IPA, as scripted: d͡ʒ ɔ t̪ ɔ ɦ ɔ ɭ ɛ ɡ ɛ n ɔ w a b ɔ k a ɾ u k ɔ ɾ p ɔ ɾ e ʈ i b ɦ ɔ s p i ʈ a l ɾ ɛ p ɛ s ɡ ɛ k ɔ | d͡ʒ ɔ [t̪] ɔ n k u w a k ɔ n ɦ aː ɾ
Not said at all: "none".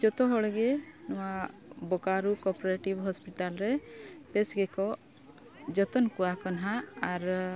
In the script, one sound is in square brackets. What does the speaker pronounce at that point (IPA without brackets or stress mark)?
t̪